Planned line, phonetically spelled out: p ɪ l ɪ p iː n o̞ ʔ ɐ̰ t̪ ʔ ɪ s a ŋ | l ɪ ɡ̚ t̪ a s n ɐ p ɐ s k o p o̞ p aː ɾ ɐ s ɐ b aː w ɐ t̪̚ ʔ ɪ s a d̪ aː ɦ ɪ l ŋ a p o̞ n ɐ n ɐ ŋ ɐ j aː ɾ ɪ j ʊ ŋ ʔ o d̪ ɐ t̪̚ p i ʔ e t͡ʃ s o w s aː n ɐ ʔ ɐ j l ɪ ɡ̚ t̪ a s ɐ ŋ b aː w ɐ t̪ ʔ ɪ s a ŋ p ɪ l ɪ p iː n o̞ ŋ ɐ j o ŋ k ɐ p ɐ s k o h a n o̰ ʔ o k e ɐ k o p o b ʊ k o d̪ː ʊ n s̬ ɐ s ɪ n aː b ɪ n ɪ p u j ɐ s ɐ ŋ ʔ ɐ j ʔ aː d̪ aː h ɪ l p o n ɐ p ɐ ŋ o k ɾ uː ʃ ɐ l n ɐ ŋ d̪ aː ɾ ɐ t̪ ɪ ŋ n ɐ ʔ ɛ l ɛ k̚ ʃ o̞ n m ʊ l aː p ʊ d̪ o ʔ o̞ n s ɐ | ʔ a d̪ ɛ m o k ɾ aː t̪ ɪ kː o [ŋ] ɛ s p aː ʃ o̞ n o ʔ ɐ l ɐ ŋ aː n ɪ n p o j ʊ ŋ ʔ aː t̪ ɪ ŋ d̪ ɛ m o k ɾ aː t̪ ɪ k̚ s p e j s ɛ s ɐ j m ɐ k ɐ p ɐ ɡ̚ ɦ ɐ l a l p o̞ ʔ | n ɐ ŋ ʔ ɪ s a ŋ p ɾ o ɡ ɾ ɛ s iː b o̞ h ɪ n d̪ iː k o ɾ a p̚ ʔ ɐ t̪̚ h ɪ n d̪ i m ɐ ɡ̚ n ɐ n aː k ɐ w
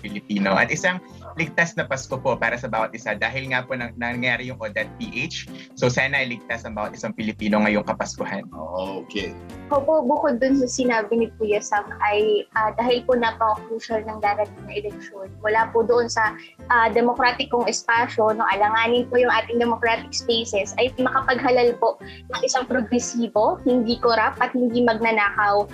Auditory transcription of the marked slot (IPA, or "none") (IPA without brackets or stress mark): ŋ